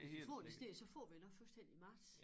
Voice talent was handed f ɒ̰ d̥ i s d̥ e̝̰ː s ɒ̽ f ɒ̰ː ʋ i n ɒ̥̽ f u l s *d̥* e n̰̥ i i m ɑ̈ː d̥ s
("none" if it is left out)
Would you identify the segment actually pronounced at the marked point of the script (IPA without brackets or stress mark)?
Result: d̥